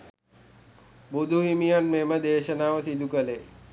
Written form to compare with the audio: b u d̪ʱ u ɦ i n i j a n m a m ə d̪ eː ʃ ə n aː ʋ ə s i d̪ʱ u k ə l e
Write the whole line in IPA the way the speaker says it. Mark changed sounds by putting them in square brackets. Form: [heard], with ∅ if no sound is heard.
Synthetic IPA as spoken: b u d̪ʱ u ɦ i [m] i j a n m [e] m ə d̪ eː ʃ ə n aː ʋ ə s i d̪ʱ u k ə l e